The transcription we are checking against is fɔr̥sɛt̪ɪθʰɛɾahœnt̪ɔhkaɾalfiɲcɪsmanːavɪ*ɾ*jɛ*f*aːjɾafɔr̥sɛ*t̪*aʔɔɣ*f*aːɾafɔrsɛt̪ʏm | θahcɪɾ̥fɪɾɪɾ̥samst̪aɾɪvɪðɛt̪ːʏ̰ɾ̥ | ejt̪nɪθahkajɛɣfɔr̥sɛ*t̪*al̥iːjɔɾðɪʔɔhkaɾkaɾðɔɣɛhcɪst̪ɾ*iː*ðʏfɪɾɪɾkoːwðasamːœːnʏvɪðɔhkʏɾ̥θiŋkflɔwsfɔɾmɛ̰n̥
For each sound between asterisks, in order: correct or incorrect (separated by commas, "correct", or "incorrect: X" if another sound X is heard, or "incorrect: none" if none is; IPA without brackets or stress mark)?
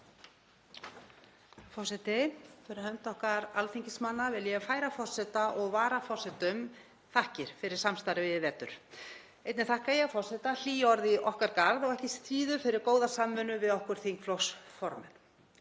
incorrect: l, correct, correct, incorrect: v, correct, correct